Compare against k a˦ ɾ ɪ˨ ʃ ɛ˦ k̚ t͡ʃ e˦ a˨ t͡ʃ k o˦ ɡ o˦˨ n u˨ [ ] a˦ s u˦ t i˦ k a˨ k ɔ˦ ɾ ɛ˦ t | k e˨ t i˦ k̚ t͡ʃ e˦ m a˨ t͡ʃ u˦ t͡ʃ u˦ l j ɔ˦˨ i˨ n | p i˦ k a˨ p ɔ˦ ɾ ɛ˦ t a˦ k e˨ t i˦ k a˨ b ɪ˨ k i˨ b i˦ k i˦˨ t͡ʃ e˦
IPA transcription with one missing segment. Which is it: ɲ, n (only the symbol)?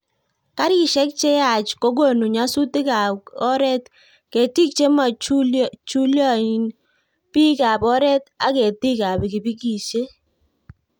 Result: ɲ